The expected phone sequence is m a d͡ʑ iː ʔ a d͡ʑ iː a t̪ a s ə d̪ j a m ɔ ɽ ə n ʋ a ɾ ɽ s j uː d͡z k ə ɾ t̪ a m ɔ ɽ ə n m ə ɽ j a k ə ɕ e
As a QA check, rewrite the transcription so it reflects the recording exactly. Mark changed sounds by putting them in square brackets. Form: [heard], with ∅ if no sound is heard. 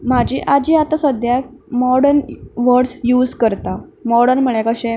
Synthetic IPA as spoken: m a d͡ʑ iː ʔ a d͡ʑ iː a t̪ a s ə d̪ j a m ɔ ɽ ə n ʋ [ə] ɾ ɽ s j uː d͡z k ə ɾ t̪ a m ɔ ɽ ə n m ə [ɭ] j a k ə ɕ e